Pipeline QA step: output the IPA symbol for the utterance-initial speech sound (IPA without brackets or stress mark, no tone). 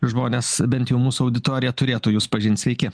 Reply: ʒ